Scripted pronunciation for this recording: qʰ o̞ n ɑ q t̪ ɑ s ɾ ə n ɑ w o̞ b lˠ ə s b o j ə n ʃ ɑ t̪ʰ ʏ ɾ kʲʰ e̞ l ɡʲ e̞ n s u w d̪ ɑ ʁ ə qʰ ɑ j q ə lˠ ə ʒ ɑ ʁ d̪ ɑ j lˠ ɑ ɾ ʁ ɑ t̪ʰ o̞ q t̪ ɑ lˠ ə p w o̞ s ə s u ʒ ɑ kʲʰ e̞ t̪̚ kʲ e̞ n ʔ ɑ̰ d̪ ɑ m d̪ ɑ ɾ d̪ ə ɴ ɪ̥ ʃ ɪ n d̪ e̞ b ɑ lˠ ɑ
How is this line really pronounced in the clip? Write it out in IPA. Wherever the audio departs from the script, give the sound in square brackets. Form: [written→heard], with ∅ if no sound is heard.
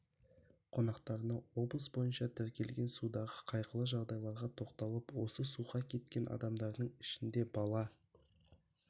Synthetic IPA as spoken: qʰ o̞ n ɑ q t̪ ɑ [s→∅] ɾ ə n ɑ w o̞ b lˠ ə s b o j ə n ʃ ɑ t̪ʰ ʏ ɾ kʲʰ e̞ l ɡʲ e̞ n s u [w→∅] d̪ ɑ ʁ ə qʰ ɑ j q ə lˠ ə ʒ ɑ ʁ d̪ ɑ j lˠ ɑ ɾ ʁ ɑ t̪ʰ o̞ q t̪ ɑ lˠ ə p w o̞ s ə s u [ʒ→ʁ] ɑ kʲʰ e̞ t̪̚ kʲ e̞ n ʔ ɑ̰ d̪ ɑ m d̪ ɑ ɾ d̪ ə ɴ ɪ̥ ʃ ɪ n d̪ e̞ b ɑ lˠ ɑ